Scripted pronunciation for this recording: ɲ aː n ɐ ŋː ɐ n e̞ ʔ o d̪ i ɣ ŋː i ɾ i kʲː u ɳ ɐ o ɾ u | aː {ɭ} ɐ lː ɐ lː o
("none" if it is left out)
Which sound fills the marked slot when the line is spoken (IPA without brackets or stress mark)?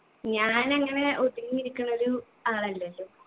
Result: ɭ